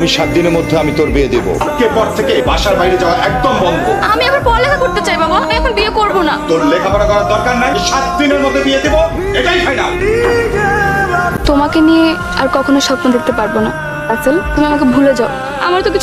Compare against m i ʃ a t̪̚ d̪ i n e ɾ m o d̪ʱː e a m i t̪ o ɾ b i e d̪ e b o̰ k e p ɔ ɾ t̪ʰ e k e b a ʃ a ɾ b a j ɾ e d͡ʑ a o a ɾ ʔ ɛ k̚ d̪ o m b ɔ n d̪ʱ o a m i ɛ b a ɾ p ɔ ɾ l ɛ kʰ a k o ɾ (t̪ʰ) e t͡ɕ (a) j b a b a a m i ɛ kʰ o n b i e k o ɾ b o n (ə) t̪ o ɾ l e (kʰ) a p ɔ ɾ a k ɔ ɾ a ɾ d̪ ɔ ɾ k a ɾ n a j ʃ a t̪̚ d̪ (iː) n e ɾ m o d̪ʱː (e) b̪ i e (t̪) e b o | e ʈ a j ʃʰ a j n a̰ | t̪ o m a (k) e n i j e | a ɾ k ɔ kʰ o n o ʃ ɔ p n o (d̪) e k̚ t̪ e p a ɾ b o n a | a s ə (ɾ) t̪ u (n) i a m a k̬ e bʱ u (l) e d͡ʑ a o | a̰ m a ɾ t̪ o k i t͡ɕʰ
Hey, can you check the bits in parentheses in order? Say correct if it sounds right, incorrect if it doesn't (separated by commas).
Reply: incorrect, correct, incorrect, correct, incorrect, correct, incorrect, correct, correct, incorrect, incorrect, correct